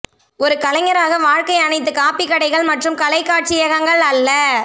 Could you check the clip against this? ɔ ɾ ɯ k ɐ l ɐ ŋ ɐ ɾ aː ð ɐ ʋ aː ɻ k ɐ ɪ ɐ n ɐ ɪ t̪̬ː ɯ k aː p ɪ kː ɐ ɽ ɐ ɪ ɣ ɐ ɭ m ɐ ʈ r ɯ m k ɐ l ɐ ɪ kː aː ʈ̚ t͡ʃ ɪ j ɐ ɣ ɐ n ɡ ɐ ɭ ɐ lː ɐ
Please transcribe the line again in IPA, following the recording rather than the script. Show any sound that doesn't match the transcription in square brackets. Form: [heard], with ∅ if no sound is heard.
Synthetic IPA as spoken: ɔ ɾ ɯ k ɐ l ɐ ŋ ɐ ɾ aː [ɣ] ɐ ʋ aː ɻ k ɐ ɪ ɐ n ɐ ɪ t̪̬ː ɯ k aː p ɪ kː ɐ ɽ ɐ ɪ ɣ ɐ ɭ m ɐ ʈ r ɯ m k ɐ l ɐ ɪ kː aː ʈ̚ t͡ʃ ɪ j ɐ ɣ ɐ [ŋ] ɡ ɐ ɭ ɐ lː ɐ